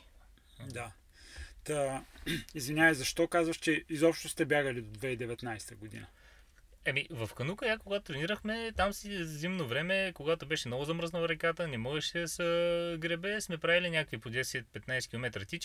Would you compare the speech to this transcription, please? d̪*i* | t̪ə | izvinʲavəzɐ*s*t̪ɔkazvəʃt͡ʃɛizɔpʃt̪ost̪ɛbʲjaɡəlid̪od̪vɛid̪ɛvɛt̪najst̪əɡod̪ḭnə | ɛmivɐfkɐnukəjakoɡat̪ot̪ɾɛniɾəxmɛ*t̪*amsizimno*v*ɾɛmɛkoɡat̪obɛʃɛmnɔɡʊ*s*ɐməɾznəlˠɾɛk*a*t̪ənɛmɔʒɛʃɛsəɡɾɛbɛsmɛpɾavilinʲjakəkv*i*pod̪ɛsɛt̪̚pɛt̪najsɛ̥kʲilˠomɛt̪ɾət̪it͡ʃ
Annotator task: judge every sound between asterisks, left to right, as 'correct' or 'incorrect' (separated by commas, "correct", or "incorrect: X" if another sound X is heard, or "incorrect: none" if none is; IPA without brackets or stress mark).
incorrect: a, incorrect: ʃ, correct, correct, incorrect: z, correct, correct